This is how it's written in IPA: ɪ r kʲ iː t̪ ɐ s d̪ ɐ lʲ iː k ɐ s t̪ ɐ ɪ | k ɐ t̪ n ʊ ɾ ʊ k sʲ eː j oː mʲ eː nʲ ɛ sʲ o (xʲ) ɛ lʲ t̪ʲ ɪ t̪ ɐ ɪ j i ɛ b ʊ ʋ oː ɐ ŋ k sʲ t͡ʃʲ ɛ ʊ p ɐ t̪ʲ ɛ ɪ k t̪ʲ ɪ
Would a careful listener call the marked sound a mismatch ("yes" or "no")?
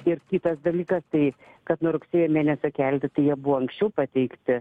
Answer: yes